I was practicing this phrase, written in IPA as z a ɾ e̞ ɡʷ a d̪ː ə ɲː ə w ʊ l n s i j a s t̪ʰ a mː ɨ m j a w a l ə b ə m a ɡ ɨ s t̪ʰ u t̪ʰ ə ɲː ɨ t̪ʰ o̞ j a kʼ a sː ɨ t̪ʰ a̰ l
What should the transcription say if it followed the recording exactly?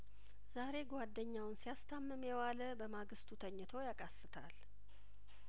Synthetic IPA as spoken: z a ɾ e̞ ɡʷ a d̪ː ə ɲː a w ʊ n s i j a s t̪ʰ a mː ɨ m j ɛ w a l ə b ə m a ɡ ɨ s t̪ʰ u t̪ʰ ə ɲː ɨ t̪ʰ o̞ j a kʼ a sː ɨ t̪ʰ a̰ l